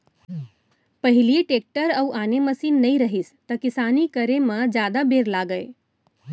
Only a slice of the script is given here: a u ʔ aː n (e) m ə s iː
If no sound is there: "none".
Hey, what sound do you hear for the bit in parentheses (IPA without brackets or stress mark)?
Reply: e